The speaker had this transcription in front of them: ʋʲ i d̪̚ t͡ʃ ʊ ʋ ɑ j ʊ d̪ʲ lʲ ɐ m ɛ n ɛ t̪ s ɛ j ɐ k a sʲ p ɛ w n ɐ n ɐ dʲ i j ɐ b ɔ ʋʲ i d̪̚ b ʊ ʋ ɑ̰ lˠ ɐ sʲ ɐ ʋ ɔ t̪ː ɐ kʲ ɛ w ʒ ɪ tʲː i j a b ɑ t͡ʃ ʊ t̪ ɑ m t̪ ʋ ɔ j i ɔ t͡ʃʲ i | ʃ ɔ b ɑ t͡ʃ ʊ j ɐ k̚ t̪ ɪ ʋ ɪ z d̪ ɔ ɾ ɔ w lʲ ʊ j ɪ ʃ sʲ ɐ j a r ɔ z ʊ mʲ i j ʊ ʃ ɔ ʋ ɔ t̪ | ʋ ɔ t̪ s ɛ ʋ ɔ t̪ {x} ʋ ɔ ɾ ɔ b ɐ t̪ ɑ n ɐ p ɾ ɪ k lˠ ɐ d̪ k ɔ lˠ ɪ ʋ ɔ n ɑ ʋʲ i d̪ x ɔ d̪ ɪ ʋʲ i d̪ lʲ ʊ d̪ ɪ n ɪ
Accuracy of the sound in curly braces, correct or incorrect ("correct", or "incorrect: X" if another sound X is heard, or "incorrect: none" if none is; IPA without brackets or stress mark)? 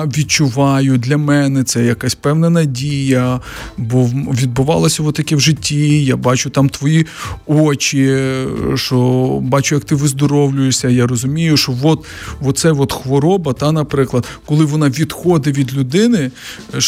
correct